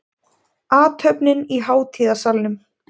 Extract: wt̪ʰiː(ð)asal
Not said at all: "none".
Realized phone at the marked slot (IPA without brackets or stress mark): ð